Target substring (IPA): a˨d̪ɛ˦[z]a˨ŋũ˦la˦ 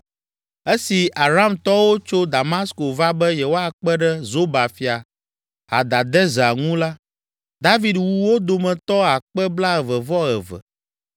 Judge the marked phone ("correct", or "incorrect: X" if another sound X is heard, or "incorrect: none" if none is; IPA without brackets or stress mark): correct